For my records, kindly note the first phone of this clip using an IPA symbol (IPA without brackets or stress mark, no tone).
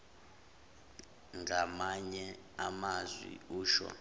ŋ